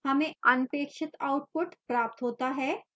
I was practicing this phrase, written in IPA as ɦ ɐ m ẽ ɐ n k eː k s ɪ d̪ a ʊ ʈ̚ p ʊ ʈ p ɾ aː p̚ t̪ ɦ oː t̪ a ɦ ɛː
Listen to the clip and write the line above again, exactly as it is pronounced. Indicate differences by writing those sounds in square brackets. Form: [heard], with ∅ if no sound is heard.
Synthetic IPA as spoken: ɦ ɐ m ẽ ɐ n [p] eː k [ʃ] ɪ [t̪] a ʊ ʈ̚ p ʊ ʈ p ɾ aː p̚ t̪ ɦ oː t̪ a ɦ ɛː